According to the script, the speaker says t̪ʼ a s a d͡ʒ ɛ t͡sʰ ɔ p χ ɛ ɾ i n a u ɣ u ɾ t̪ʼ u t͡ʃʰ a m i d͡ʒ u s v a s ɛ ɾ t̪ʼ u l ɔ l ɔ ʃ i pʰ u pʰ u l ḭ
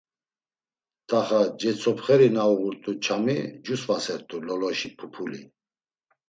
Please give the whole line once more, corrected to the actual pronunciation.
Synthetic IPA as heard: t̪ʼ a χ a d͡ʒ ɛ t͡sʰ ɔ p χ ɛ ɾ i n a u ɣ u ɾ t̪ʼ u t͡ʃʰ a m i d͡ʒ u s v a s ɛ ɾ t̪ʼ u l ɔ l ɔ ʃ i pʰ u pʰ u l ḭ